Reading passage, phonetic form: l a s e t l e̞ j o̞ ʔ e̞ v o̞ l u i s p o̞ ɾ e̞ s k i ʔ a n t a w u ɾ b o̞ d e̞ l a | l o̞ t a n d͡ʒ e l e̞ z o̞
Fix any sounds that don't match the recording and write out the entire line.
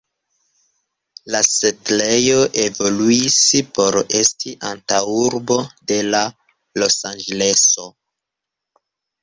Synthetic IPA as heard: l a s e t l e̞ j o̞ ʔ e̞ v o̞ l u i s p o̞ ɾ e̞ s t i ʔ a n t a w u ɾ b o̞ d e̞ l a | l o̞ s a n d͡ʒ e l e̞ s o̞